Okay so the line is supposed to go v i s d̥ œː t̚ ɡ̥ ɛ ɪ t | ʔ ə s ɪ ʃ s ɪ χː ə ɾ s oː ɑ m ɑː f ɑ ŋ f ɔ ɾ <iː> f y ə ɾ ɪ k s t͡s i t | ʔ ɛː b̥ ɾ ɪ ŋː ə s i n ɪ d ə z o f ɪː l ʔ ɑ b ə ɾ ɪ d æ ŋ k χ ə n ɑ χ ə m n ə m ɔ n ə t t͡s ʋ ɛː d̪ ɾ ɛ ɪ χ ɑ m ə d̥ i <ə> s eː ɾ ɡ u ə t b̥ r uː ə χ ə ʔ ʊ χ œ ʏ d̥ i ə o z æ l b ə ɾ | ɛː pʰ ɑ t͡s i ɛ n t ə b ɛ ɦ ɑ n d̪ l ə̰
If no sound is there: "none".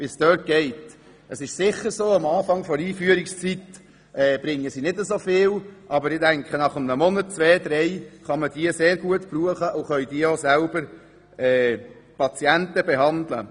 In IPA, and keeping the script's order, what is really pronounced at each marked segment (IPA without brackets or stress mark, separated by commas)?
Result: iː, ə